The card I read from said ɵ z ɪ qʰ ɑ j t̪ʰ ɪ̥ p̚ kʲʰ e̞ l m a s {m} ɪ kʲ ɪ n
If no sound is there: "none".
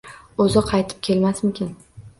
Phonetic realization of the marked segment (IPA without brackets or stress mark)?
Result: m